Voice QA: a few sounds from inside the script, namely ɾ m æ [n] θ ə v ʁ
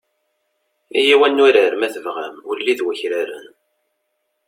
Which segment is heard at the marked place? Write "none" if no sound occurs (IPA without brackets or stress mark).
none